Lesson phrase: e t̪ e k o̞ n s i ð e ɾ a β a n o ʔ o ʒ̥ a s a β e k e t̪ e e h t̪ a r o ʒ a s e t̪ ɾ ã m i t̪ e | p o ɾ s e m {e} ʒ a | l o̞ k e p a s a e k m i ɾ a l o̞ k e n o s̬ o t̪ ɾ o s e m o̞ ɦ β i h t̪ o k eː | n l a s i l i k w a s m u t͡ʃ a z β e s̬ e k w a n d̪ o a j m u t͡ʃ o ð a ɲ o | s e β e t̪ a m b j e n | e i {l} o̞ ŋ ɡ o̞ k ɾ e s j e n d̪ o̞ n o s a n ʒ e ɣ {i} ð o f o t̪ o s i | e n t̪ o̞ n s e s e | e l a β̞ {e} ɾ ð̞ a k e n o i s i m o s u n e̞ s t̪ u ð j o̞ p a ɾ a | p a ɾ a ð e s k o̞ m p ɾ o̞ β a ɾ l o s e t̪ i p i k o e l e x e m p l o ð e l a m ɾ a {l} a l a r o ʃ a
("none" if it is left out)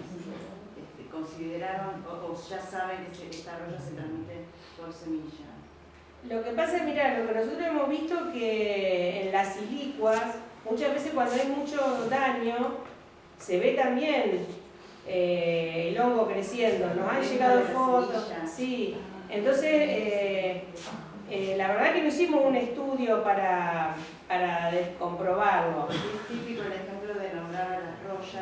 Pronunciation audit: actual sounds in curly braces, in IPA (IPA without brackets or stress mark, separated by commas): i, l, a, e, ɾ